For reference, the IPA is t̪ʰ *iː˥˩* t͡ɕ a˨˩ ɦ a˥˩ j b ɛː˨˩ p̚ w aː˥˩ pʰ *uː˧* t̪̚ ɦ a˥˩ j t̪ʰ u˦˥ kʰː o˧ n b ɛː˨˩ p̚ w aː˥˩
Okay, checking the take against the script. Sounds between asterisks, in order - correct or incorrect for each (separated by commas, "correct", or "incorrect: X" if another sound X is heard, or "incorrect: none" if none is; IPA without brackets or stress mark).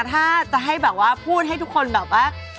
incorrect: aː˥˩, incorrect: uː˥˩